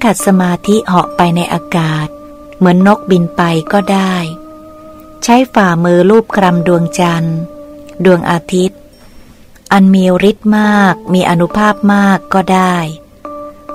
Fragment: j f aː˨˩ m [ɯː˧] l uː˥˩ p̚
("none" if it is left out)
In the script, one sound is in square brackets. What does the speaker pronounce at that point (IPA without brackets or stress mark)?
ɯː˧